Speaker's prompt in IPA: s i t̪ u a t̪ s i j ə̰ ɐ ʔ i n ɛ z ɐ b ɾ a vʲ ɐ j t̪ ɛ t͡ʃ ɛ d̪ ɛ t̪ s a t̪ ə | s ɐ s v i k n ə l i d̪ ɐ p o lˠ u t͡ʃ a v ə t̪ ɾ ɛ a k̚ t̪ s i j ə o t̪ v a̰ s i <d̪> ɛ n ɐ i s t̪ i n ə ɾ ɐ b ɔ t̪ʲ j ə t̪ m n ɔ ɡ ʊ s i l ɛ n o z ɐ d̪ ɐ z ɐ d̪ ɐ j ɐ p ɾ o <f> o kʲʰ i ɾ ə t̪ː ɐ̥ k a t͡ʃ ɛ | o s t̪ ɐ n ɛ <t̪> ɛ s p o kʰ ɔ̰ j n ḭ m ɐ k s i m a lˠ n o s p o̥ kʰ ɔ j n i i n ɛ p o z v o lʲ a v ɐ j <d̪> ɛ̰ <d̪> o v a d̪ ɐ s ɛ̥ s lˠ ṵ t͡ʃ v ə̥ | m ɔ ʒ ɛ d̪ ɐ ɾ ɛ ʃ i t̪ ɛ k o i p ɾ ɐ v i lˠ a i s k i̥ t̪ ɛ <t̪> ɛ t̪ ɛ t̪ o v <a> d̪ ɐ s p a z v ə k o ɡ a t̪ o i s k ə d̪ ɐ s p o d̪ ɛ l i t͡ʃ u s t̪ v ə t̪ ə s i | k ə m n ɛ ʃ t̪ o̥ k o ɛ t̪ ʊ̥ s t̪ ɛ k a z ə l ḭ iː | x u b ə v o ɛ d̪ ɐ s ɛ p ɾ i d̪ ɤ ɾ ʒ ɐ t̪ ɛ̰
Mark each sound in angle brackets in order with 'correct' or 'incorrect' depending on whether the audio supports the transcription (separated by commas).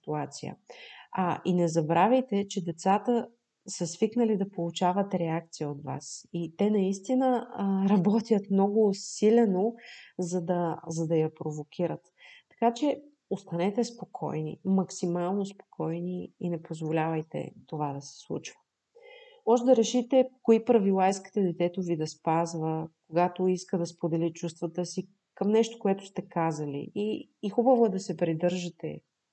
incorrect, incorrect, correct, incorrect, incorrect, incorrect, incorrect